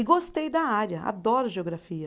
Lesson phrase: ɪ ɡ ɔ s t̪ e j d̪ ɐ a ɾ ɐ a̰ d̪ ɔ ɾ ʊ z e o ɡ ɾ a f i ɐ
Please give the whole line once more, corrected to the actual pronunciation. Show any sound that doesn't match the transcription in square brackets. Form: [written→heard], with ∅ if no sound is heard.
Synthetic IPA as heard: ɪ ɡ [ɔ→o] s t̪ e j d̪ ɐ a ɾ ɐ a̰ d̪ ɔ ɾ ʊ [z→ʒ] e o ɡ ɾ a f i ɐ